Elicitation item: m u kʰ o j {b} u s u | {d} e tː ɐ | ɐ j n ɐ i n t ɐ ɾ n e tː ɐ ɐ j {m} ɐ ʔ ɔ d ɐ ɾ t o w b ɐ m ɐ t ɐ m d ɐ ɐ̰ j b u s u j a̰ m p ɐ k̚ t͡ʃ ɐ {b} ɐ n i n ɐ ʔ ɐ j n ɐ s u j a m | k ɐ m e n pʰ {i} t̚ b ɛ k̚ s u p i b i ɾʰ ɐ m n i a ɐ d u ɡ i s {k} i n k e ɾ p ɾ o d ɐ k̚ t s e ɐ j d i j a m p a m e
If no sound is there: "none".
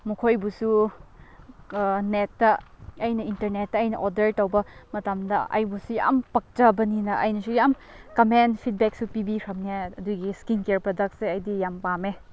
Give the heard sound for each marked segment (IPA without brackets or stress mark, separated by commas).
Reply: b, n, n, b, i, k